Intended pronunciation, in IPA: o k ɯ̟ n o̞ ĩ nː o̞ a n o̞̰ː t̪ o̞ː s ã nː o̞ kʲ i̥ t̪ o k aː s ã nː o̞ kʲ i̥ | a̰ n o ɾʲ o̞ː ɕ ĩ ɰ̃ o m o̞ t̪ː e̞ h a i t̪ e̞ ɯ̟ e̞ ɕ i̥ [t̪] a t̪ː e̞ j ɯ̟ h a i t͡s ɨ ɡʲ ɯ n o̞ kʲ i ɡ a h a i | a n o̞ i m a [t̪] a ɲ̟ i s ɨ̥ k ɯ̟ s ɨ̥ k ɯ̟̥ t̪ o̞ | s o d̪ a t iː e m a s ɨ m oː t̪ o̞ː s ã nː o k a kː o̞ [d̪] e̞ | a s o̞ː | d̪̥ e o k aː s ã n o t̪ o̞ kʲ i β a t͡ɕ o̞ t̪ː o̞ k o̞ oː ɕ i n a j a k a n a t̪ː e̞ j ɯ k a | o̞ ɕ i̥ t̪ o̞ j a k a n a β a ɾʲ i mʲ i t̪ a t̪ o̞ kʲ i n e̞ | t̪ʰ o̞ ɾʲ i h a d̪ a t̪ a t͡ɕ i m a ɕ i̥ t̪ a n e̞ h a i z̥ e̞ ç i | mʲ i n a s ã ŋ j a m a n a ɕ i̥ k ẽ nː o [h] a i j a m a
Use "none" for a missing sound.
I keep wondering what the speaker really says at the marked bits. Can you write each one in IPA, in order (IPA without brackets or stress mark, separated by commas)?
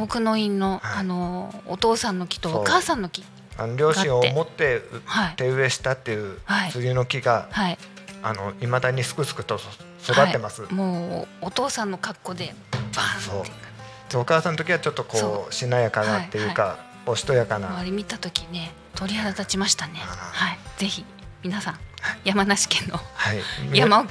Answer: t̪, d̪, d̪, h